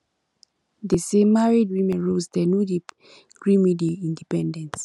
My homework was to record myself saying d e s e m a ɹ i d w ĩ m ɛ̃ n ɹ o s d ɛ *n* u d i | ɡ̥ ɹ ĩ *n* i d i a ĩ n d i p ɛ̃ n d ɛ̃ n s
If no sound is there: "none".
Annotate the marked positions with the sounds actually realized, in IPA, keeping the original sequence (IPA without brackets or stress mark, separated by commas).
n, m